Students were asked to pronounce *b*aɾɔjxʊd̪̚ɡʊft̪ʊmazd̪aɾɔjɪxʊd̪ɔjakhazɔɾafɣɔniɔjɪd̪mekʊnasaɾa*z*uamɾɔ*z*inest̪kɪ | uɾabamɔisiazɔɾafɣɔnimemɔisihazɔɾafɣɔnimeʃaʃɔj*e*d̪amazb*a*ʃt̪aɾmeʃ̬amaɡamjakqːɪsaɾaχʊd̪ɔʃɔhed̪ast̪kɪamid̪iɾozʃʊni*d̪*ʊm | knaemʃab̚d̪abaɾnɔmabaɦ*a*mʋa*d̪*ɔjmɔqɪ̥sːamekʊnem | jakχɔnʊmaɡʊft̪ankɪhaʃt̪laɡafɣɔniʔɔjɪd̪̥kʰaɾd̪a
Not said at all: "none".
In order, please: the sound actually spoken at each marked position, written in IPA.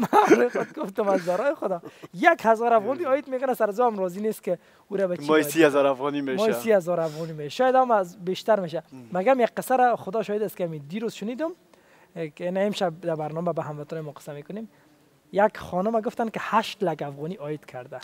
m, z, z, a, e, d̪, a, t̪

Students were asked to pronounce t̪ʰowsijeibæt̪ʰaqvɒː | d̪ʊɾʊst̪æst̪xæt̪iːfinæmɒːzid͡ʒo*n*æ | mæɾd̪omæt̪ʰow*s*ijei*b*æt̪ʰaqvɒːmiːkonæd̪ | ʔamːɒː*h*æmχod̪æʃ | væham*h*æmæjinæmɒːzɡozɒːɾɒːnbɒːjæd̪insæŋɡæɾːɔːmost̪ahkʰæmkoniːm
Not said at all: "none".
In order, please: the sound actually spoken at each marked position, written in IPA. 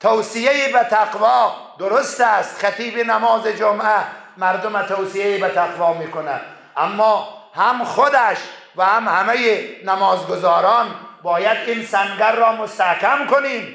m, s, b, h, h

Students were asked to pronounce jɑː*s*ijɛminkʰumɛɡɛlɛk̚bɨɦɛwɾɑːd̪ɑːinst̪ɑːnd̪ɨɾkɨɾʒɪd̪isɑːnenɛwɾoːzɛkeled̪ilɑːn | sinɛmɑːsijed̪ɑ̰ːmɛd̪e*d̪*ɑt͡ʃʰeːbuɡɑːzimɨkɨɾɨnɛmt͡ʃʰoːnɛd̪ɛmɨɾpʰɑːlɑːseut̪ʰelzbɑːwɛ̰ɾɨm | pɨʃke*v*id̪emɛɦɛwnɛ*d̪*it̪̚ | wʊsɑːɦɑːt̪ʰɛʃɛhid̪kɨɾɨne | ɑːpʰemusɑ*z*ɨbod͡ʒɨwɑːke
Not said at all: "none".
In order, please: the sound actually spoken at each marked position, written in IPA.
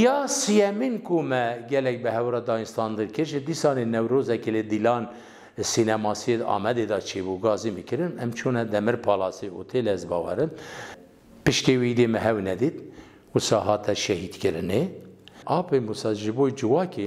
s, d̪, w, d̪, ʒ

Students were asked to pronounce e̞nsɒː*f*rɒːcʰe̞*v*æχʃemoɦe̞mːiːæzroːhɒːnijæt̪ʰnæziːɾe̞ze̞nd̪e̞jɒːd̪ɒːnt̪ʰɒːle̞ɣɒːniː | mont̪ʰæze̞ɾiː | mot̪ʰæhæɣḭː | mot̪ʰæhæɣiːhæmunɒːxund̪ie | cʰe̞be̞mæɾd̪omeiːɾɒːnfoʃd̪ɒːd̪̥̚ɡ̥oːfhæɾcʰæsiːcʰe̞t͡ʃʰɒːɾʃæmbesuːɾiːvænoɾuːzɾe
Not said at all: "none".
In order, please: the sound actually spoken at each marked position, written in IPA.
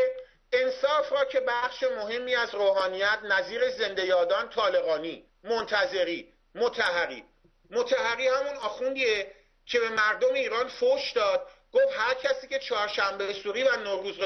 f, b

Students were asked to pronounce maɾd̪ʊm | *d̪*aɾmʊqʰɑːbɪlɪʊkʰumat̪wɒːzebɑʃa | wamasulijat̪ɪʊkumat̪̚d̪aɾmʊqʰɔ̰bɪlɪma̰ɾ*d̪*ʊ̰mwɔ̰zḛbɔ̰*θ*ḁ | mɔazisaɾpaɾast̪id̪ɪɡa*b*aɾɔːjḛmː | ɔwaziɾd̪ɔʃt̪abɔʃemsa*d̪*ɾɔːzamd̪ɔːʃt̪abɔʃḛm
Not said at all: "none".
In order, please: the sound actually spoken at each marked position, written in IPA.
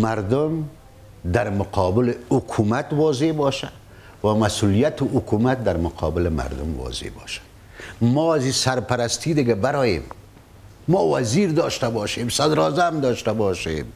d̪, d̪, ʃ, b, d̪

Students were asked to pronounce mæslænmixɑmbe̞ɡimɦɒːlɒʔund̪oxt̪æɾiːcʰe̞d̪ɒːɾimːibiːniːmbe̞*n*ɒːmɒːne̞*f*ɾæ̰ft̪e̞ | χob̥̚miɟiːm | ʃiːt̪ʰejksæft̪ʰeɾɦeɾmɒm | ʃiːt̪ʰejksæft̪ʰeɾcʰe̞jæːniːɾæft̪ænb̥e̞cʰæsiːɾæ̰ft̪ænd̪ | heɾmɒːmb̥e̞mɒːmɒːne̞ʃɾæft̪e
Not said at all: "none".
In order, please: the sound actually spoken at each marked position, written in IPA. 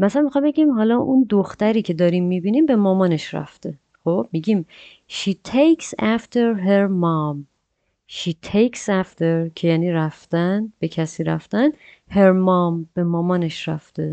m, ʃ

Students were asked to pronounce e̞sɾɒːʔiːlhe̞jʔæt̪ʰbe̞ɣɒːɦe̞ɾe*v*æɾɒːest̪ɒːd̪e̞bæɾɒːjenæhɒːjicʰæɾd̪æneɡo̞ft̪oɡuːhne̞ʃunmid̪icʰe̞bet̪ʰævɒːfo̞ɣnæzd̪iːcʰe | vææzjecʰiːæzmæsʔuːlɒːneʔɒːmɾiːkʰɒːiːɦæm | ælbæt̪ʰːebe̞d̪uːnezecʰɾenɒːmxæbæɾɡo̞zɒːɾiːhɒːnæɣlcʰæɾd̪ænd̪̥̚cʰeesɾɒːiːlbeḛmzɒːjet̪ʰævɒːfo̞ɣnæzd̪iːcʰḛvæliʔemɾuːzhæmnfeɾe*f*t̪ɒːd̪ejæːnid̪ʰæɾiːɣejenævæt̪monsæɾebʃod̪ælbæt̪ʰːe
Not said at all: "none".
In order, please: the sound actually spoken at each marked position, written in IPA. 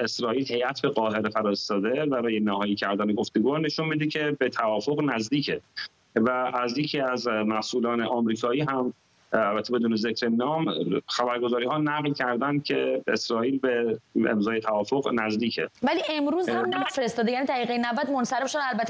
f, s

